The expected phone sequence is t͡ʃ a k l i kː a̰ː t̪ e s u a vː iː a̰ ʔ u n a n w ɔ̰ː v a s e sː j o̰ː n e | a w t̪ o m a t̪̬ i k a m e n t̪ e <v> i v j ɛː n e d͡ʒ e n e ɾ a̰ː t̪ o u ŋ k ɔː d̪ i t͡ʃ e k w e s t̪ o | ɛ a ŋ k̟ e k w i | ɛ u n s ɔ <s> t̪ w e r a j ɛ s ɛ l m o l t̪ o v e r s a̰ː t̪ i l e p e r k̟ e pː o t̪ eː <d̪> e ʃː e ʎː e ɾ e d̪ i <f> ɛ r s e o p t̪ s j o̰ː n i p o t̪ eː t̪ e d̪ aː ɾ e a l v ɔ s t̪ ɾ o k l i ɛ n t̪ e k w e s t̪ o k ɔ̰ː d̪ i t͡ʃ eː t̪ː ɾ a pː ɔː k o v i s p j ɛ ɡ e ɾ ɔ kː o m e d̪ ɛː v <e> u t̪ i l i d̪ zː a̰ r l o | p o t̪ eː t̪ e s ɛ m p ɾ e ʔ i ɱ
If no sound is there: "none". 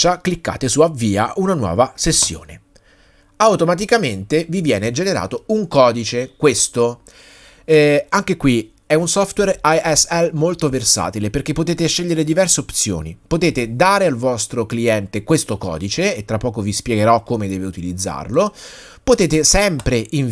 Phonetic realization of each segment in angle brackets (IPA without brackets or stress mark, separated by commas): v, f, t̪, v, e